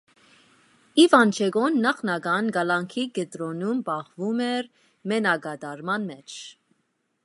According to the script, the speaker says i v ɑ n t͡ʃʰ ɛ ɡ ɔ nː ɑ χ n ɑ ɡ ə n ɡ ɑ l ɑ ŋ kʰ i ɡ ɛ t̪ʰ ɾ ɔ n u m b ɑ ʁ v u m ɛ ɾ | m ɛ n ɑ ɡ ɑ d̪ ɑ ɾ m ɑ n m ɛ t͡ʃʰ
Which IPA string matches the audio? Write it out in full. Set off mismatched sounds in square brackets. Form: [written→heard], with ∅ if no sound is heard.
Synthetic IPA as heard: i v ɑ n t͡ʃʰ ɛ ɡ ɔ nː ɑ χ n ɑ ɡ [ə→ɑ] n ɡ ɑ l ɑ ŋ kʰ i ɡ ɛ [t̪ʰ→t̪] ɾ ɔ n u m b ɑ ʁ v u m ɛ ɾ | m ɛ n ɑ ɡ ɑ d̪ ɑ ɾ m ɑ n m ɛ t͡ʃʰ

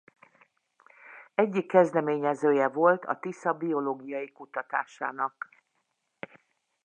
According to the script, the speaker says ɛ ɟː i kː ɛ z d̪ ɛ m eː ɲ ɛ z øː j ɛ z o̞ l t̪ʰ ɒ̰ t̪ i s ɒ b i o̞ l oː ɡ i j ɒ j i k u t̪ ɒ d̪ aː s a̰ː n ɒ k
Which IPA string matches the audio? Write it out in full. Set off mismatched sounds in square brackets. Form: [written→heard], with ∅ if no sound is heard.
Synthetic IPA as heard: ɛ ɟː i kː ɛ z d̪ ɛ m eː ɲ ɛ z øː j ɛ [z→v] o̞ l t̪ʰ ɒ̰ t̪ i s ɒ b i o̞ l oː ɡ i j ɒ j i k u t̪ ɒ [d̪→t̪] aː [s→ʃ] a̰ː n ɒ k

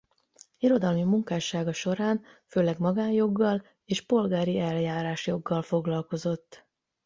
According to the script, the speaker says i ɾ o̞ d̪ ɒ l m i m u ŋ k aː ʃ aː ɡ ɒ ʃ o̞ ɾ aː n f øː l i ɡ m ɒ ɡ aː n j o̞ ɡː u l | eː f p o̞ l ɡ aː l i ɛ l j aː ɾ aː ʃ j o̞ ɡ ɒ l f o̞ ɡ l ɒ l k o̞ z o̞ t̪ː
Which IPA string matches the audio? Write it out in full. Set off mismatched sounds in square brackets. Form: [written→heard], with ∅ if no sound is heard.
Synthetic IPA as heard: i ɾ o̞ d̪ ɒ l m i m u ŋ k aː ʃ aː ɡ ɒ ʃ o̞ ɾ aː n f øː l [i→ɛ] ɡ m ɒ ɡ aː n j o̞ ɡː [u→ɒ] l | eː [f→ʃ] p o̞ l ɡ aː [l→ɾ] i ɛ l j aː ɾ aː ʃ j o̞ [ɡ→ɡː] ɒ l f o̞ ɡ l ɒ l k o̞ z o̞ t̪ː

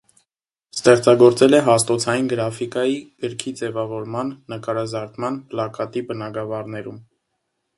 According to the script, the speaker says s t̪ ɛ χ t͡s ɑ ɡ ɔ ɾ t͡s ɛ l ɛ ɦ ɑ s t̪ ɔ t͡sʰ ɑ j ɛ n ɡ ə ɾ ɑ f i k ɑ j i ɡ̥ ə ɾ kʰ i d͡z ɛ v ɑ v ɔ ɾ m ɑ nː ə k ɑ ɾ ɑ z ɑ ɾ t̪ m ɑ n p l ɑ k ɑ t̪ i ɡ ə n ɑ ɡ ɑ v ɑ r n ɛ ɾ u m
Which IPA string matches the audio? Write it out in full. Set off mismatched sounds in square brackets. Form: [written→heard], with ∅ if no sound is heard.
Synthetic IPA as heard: s t̪ ɛ χ t͡s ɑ ɡ ɔ ɾ t͡s ɛ l ɛ ɦ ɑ s t̪ ɔ t͡sʰ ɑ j [ɛ→i] n ɡ ə ɾ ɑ f i k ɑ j i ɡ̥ ə ɾ kʰ i d͡z ɛ v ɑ v ɔ ɾ m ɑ nː ə k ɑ ɾ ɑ z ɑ ɾ t̪ m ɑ n p l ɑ k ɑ t̪ i [ɡ→b] ə n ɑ ɡ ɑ v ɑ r n ɛ ɾ u m

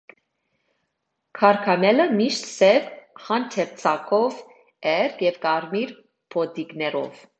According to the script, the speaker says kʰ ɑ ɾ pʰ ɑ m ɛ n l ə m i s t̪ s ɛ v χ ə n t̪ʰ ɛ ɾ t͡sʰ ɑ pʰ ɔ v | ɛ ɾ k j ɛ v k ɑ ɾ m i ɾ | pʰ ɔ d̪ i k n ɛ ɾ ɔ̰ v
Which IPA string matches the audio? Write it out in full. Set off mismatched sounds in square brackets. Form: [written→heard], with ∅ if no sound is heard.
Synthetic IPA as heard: kʰ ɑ ɾ [pʰ→kʰ] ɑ m ɛ [n→∅] l ə m i [s→ʃ] t̪ s ɛ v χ [ə→ɑ] n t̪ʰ ɛ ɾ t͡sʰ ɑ [pʰ→kʰ] ɔ v | ɛ ɾ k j ɛ v k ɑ ɾ m i ɾ | pʰ ɔ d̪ i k n ɛ ɾ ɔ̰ v

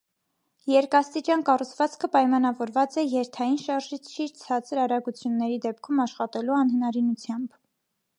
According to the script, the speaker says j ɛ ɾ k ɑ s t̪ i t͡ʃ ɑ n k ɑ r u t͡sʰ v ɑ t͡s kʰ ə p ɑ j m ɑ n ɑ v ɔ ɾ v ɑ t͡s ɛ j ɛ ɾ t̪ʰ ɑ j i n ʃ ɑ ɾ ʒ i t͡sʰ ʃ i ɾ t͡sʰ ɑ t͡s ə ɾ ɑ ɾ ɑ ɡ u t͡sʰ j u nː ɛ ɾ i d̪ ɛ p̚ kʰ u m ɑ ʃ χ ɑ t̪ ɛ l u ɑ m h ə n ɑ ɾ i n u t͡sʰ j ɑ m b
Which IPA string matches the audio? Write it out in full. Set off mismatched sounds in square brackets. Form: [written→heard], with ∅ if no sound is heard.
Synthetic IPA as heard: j ɛ ɾ k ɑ s t̪ i t͡ʃ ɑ n k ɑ r u t͡sʰ v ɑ t͡s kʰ ə p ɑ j m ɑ n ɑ v ɔ ɾ v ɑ t͡s ɛ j ɛ ɾ t̪ʰ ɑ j i n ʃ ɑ ɾ ʒ i t͡sʰ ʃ i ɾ t͡sʰ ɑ t͡s ə ɾ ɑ ɾ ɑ ɡ u t͡sʰ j u nː ɛ ɾ i d̪ ɛ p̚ kʰ u m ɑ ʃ χ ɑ t̪ ɛ l u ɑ [m→n] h ə n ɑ ɾ i n u t͡sʰ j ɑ m b

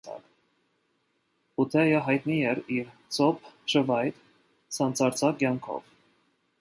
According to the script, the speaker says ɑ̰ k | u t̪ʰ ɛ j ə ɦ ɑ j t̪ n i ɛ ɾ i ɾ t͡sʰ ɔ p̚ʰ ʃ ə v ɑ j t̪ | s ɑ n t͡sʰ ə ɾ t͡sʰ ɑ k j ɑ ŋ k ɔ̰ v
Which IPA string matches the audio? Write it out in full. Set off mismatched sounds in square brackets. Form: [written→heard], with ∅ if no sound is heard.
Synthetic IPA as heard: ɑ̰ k | u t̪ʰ ɛ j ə ɦ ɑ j t̪ n i ɛ ɾ i ɾ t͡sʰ ɔ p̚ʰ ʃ ə v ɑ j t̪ | s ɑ n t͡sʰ [ə→ɑ] ɾ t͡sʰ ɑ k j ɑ ŋ [k→kʰ] ɔ̰ v

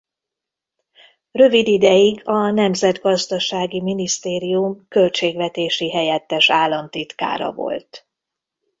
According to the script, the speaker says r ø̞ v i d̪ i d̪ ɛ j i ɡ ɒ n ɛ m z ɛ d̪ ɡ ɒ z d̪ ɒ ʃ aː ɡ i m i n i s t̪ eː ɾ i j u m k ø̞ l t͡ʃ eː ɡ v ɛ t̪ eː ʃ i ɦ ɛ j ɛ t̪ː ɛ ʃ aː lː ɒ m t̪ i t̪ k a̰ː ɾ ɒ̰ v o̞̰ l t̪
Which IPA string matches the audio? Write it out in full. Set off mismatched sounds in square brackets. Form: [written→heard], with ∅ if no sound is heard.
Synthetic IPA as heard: r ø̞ v i d̪ i d̪ ɛ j i ɡ ɒ n ɛ m z ɛ d̪ ɡ ɒ z d̪ ɒ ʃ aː ɡ i m i n i s t̪ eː ɾ i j u m k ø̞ l t͡ʃ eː ɡ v ɛ t̪ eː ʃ i ɦ ɛ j ɛ t̪ː ɛ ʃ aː lː ɒ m t̪ i t̪ k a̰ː ɾ ɒ̰ v o̞̰ l t̪

